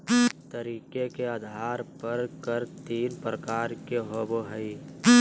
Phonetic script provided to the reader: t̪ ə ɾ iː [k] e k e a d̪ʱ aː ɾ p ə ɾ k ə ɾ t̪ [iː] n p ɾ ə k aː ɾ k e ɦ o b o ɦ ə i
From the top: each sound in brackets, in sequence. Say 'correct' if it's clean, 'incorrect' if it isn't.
correct, correct

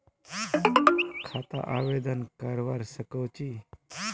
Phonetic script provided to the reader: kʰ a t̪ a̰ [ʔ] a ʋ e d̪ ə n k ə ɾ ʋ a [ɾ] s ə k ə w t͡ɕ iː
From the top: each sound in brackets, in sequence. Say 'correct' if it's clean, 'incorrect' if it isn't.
correct, correct

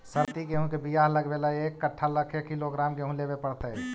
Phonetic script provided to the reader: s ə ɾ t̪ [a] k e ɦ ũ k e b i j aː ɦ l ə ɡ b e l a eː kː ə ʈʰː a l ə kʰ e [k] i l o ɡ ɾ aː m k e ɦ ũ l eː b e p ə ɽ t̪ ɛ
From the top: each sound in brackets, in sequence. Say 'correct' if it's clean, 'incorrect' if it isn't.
incorrect, correct

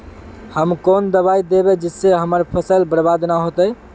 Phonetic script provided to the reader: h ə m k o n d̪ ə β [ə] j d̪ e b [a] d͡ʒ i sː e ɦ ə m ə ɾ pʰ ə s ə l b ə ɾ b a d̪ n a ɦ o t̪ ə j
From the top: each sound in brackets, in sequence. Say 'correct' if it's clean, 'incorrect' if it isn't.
incorrect, incorrect

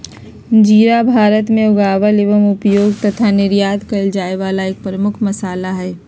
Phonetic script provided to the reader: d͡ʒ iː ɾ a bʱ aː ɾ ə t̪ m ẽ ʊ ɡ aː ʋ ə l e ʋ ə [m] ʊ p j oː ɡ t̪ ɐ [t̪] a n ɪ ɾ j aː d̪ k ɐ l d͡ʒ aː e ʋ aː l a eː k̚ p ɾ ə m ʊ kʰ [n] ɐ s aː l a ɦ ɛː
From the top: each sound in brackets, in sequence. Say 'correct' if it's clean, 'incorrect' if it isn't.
correct, incorrect, incorrect

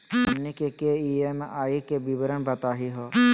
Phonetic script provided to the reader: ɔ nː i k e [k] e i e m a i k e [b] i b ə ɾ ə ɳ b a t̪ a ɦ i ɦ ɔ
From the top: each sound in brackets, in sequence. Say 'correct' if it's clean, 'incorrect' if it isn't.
correct, correct

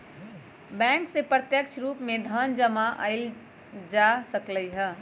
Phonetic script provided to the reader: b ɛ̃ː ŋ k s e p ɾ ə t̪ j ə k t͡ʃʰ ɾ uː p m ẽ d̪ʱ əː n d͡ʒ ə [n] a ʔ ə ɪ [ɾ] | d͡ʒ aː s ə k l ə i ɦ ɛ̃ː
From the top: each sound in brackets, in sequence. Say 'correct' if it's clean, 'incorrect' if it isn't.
incorrect, incorrect

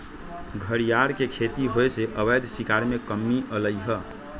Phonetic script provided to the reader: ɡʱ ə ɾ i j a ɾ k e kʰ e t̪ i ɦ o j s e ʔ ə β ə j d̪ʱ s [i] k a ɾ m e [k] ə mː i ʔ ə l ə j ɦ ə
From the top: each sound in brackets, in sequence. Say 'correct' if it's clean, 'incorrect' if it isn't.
correct, correct

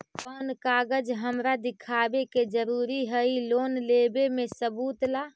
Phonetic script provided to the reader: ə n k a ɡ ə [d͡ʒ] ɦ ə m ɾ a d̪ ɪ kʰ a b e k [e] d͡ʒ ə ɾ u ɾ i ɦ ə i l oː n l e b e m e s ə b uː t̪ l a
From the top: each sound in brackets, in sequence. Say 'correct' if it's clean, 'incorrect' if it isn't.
correct, correct

